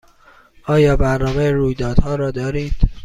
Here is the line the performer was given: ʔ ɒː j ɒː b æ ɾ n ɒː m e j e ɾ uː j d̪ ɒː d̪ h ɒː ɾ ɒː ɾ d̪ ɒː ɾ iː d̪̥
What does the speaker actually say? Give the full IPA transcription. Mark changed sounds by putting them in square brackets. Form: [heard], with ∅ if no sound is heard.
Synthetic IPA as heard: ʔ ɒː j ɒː b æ ɾ n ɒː m e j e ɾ uː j d̪ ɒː d̪ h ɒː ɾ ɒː [∅] d̪ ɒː ɾ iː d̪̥